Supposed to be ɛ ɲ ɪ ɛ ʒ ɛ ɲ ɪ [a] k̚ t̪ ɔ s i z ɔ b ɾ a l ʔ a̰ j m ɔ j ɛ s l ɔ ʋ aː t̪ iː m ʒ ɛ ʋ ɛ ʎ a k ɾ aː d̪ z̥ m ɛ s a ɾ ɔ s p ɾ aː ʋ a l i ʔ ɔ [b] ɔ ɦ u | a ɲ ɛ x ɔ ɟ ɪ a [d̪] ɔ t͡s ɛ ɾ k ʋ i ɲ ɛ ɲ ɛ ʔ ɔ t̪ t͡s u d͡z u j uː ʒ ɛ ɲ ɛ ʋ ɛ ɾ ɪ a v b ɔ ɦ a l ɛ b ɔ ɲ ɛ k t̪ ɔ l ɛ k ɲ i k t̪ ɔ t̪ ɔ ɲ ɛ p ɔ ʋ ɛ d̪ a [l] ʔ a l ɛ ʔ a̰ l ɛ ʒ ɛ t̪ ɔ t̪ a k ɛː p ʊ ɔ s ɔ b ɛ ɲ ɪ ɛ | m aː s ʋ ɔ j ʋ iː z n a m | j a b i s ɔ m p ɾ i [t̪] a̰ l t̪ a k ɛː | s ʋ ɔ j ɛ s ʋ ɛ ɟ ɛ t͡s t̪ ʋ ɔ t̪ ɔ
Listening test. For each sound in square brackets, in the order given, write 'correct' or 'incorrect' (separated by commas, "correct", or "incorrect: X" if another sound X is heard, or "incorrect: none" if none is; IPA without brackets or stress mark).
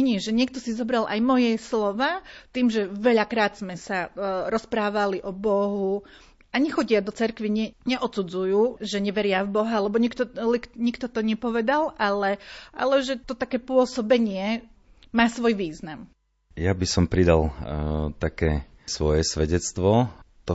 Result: incorrect: ɛ, correct, correct, correct, incorrect: d̪